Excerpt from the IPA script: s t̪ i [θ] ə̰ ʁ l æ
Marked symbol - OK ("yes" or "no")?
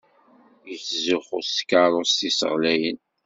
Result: no